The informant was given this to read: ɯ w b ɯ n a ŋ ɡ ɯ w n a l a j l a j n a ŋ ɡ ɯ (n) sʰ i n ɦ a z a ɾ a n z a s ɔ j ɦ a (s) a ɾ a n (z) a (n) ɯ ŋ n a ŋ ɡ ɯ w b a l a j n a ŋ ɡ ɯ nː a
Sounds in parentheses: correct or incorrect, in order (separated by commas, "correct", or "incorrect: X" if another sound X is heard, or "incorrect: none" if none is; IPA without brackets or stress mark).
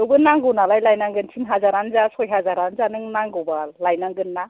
correct, incorrect: z, correct, correct